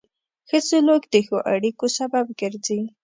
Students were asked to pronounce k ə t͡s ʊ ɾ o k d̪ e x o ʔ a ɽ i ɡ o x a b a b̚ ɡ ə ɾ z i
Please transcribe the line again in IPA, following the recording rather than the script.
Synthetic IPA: x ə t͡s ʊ l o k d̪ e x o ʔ a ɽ i k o s a b a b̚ ɡ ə ɾ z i